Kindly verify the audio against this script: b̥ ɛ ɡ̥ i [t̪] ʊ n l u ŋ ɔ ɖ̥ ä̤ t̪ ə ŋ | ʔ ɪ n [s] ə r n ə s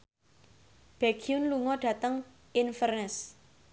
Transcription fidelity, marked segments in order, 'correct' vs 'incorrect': incorrect, incorrect

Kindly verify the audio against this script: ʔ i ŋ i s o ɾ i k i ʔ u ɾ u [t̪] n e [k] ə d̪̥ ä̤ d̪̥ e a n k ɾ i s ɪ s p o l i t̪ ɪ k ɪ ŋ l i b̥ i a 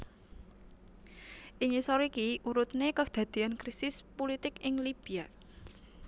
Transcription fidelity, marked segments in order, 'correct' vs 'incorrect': correct, correct

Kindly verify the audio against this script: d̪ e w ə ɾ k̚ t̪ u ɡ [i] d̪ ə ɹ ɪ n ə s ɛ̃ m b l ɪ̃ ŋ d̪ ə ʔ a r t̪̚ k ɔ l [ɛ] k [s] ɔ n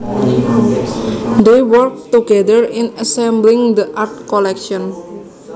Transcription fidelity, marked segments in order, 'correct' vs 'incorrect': incorrect, correct, incorrect

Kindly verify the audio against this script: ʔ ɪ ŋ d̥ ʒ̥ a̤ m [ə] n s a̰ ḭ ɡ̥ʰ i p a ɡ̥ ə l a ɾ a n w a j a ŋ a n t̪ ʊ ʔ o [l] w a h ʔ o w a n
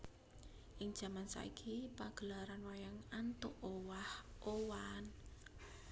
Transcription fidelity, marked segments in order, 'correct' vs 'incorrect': incorrect, incorrect

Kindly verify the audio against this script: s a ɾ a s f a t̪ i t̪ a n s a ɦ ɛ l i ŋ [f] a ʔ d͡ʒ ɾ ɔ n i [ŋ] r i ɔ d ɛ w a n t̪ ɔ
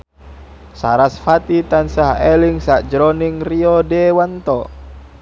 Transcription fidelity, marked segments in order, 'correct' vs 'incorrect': incorrect, correct

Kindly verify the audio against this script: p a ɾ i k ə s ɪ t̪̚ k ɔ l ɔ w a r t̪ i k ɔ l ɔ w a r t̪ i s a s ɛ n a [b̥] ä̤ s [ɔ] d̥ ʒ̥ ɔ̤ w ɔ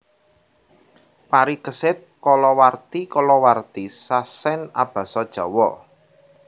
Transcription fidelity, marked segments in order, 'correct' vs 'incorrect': correct, correct

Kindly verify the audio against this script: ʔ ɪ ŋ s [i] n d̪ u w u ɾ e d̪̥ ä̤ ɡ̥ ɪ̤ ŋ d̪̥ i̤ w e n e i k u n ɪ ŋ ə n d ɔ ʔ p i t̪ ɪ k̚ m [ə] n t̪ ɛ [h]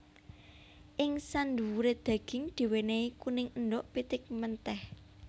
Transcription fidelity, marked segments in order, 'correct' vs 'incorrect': incorrect, correct, correct

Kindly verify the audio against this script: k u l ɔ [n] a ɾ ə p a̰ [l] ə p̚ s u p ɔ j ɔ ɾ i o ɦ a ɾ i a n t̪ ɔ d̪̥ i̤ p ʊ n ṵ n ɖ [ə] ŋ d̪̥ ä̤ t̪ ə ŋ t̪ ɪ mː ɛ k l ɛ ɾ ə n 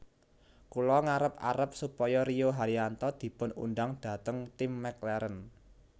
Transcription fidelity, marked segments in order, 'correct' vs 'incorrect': incorrect, incorrect, incorrect

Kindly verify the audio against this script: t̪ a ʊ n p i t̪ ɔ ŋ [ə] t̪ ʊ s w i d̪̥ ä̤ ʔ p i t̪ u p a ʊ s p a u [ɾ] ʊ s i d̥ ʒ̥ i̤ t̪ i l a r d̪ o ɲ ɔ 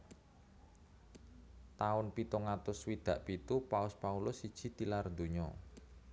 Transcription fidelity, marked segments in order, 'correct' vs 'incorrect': incorrect, incorrect

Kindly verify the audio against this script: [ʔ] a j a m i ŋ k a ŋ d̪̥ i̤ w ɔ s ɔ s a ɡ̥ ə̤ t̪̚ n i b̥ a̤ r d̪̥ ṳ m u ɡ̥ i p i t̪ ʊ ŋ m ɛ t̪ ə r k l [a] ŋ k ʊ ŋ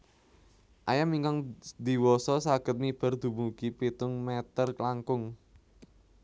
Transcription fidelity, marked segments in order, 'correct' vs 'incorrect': correct, correct

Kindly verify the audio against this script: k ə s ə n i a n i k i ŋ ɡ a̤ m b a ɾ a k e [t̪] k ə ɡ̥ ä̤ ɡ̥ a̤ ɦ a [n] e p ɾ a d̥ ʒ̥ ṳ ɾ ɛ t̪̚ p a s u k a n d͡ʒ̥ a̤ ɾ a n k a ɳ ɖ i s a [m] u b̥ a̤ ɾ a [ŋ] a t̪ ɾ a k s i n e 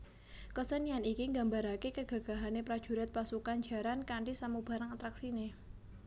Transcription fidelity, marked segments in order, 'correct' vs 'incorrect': incorrect, correct, correct, correct

